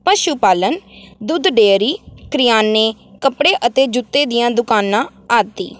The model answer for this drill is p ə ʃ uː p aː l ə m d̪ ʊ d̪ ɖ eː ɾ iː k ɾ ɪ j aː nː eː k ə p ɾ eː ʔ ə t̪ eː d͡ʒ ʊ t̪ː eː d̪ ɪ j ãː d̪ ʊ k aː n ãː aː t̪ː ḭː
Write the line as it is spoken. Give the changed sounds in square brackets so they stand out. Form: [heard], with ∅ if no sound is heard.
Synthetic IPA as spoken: p ə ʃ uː p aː l ə [n] d̪ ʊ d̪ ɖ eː ɾ iː k ɾ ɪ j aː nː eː k ə p [ɽ] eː ʔ ə t̪ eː d͡ʒ ʊ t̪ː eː d̪ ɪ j ãː d̪ ʊ k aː n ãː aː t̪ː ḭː